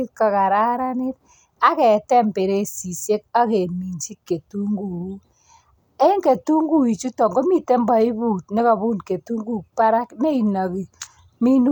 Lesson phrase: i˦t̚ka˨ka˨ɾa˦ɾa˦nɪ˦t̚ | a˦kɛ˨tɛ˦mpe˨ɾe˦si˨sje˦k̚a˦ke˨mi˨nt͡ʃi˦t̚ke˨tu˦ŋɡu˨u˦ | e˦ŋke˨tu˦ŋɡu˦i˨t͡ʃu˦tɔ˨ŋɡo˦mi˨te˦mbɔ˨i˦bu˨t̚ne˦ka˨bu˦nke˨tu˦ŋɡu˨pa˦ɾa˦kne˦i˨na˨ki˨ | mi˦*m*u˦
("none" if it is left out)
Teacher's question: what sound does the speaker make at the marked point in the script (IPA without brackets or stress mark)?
n